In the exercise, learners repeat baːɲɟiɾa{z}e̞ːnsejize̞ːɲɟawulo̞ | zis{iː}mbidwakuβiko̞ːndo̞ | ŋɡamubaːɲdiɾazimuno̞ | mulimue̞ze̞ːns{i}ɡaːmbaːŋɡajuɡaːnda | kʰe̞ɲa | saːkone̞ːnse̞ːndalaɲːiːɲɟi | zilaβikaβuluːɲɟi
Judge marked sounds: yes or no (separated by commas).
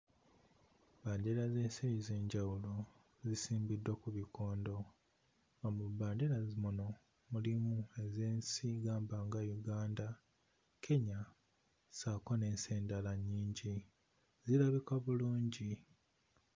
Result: yes, yes, yes